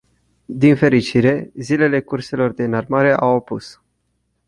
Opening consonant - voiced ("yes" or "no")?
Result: yes